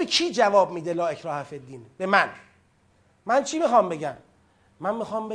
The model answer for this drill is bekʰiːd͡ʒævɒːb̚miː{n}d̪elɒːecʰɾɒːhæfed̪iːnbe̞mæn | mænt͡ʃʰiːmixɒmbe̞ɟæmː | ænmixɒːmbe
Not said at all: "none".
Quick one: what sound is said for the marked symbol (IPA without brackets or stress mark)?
none